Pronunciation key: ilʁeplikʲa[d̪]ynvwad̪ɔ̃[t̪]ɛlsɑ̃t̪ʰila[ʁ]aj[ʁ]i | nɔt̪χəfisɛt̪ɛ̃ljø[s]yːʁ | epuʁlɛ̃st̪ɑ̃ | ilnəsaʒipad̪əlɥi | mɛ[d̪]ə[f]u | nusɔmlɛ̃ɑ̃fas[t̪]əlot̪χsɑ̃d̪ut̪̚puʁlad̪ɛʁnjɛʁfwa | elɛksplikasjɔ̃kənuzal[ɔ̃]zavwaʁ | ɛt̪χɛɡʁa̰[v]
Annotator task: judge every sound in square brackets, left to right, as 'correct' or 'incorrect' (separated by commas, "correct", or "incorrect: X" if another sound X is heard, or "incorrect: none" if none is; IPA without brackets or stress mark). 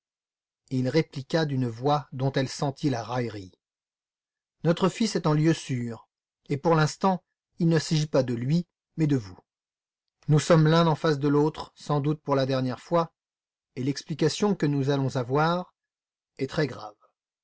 correct, correct, correct, correct, correct, correct, incorrect: v, incorrect: d̪, correct, correct